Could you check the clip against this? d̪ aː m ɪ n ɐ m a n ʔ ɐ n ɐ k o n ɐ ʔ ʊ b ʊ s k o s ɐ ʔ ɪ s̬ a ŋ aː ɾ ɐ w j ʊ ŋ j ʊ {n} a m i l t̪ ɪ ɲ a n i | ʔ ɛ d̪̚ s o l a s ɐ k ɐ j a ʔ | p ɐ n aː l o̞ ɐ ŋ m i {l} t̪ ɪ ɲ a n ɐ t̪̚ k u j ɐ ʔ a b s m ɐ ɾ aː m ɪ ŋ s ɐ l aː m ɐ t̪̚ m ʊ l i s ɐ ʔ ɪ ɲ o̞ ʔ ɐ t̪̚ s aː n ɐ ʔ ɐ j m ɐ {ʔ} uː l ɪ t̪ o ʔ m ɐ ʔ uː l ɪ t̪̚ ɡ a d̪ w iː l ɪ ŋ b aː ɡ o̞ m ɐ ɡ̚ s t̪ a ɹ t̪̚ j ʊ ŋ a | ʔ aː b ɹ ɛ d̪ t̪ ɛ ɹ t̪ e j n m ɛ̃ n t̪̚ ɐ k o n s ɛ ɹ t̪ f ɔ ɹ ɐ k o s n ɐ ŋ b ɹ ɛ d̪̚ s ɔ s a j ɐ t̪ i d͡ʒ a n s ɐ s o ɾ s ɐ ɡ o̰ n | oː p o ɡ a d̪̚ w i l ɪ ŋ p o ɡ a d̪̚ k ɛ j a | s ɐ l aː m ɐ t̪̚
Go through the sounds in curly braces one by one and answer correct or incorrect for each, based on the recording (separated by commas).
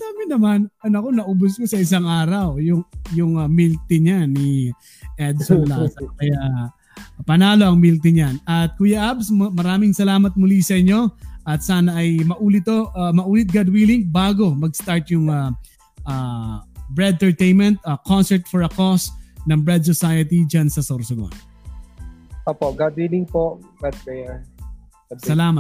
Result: incorrect, correct, correct